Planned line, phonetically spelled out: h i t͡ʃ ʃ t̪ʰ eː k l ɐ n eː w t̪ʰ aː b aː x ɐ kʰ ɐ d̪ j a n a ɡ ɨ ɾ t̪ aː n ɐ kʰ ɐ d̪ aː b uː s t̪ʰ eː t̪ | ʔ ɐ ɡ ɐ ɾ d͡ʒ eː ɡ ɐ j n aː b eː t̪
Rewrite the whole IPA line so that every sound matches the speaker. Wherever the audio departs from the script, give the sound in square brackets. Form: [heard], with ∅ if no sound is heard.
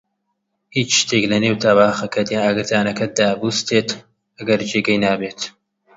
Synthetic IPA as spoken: h i t͡ʃ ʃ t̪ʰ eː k l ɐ n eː w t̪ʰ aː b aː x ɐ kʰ ɐ d̪ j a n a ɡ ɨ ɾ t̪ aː n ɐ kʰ ɐ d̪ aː b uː s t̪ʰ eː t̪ | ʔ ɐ ɡ ɐ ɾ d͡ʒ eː ɡ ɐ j n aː b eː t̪